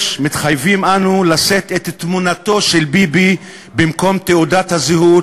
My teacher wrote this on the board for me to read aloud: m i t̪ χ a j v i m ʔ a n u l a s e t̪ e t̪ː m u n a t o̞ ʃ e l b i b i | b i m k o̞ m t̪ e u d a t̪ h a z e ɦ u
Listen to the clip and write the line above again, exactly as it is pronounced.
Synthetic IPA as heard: m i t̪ χ a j v i m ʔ a n u l a s e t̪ e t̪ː m u n a t o̞ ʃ e l b i b i | b i m k o̞ m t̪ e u d a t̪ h a z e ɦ u